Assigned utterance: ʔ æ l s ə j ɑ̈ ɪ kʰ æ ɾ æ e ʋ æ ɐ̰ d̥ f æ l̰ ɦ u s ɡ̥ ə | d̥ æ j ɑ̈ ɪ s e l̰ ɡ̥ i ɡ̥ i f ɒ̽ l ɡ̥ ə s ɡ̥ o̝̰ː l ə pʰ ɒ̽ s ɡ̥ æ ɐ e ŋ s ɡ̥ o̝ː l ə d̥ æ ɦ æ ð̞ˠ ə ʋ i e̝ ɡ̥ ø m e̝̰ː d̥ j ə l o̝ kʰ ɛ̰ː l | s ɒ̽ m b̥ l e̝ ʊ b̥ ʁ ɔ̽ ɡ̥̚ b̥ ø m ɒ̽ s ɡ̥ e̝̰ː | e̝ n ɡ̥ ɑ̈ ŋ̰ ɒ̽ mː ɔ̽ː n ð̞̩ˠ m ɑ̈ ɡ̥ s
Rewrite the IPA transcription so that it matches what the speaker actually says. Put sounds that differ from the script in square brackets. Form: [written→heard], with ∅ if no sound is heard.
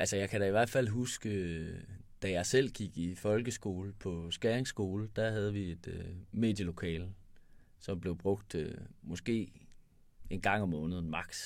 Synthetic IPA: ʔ æ l s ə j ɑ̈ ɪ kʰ æ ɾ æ [e→i] ʋ æ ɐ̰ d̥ f æ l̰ ɦ u s ɡ̥ ə | d̥ æ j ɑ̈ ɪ s e l̰ ɡ̥ i ɡ̥ i f ɒ̽ l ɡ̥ ə s ɡ̥ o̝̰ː l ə pʰ ɒ̽ s ɡ̥ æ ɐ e ŋ s ɡ̥ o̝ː l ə d̥ æ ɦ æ ð̞ˠ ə ʋ i e̝ [ɡ̥→d̥] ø m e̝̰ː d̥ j ə l o̝ kʰ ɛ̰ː l | s ɒ̽ m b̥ l e̝ ʊ b̥ ʁ ɔ̽ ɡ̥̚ [b̥→d̥] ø m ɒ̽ s ɡ̥ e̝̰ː | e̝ n ɡ̥ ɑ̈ ŋ̰ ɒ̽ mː ɔ̽ː n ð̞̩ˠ m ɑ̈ ɡ̥ s